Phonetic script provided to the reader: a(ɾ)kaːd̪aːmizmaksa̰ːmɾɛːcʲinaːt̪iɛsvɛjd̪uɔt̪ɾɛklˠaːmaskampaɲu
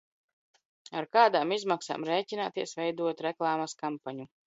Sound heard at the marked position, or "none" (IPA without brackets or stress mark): ɾ